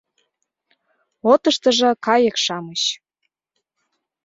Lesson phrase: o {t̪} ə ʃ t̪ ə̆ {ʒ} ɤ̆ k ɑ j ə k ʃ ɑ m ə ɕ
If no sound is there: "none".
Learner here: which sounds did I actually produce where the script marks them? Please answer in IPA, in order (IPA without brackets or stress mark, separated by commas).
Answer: t̪, ʒ